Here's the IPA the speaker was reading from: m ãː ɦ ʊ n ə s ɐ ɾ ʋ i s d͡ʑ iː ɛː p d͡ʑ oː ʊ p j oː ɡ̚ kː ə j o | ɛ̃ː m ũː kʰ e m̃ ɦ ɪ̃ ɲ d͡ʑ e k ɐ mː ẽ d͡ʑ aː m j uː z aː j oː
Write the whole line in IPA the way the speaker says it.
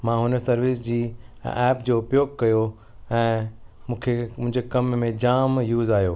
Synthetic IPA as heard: m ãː ɦ ʊ n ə s ɐ ɾ ʋ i s d͡ʑ iː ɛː p d͡ʑ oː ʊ p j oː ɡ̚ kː ɐ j o | ɛ̃ː m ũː kʰ e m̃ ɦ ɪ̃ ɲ d͡ʑ e k ɐ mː ẽ d͡ʑ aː m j uː z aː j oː

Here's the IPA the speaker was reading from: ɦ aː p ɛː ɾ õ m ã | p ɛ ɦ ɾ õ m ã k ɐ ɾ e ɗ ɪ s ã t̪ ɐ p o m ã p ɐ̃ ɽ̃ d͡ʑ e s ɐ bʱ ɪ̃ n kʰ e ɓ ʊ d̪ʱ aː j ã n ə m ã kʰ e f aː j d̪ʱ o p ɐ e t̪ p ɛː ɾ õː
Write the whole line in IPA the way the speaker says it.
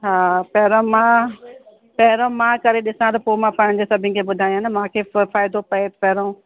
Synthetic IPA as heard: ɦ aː p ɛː ɾ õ m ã | p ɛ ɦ ɾ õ m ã k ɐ ɾ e ɗ ɪ s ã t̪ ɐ p o m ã p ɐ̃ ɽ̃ d͡ʑ e s ɐ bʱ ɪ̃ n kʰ e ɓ ʊ d̪ʱ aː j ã n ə m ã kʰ e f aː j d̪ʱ o p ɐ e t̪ p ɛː ɾ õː

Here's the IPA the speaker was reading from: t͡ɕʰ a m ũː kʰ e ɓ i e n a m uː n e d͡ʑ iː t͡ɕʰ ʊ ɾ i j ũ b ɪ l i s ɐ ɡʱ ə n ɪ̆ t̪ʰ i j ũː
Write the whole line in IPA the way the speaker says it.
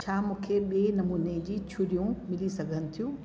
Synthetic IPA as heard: t͡ɕʰ a m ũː kʰ e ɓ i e n ɐ m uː n e d͡ʑ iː t͡ɕʰ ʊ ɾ i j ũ m ɪ l i s ɐ ɡʱ ə n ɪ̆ t̪ʰ i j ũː

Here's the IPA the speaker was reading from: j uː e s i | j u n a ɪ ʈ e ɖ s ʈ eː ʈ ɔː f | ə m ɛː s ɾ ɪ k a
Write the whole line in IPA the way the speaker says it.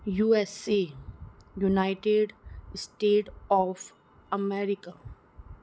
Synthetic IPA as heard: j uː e s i | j u n a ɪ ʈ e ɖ s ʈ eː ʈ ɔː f | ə m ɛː ɾ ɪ k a

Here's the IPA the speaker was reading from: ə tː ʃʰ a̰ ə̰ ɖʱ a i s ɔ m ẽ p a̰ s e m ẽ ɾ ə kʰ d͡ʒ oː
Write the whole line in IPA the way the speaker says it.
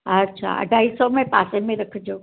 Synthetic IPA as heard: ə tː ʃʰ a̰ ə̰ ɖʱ a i s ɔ m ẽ p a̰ s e m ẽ ɾ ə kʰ d͡ʒ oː

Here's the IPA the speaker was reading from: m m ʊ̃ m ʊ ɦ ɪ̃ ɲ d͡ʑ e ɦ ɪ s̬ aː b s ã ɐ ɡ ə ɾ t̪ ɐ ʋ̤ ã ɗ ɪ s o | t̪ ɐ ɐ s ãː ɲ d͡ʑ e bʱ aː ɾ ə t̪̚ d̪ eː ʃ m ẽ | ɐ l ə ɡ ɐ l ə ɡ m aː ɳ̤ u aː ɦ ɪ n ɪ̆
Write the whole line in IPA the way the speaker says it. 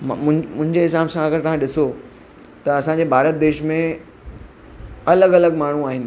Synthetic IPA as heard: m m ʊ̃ m ʊ̃ ɦ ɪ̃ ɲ d͡ʑ e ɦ ɪ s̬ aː b s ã ɐ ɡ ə ɾ t̪ ɐ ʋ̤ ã ɗ ɪ s o | t̪ ɐ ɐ s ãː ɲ d͡ʑ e bʱ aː ɾ ə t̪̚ d̪ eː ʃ m ẽ | ɐ l ə ɡ ɐ l ə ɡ m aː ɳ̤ u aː ɦ ɪ n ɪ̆

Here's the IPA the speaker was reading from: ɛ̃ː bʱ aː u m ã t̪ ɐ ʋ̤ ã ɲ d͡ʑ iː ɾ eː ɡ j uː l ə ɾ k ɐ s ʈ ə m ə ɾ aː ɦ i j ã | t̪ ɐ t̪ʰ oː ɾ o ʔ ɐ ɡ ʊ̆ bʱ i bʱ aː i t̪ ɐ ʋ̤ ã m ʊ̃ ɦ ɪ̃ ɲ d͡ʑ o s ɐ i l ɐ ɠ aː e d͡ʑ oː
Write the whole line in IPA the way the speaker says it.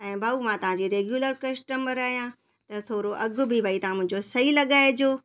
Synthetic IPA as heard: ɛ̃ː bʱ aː u m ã t̪ ɐ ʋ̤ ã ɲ d͡ʑ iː ɾ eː ɡ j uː l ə ɾ k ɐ s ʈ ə m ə ɾ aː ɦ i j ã | t̪ ɐ t̪ʰ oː ɾ o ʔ ɐ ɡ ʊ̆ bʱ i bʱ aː i t̪ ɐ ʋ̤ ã m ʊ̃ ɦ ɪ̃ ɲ d͡ʑ o s ɐ i l ɐ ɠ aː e d͡ʑ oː

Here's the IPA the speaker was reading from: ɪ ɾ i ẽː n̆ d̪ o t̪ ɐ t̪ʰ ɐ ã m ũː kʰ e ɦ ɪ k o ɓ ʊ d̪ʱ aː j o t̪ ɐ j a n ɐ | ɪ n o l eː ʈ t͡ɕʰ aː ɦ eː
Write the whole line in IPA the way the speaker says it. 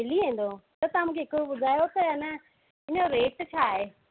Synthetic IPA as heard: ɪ l i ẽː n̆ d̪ o t̪ ɐ t̪ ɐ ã m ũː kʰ e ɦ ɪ k o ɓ ʊ d̪ʱ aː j o t̪ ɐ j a n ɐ | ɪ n o ɾ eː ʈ t͡ɕʰ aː ɦ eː

